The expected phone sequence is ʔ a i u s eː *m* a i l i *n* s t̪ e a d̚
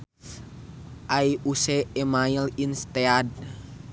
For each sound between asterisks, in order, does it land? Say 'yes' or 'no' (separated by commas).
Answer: yes, yes